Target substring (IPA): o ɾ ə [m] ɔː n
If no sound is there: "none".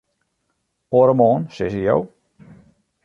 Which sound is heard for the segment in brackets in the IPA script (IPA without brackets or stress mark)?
m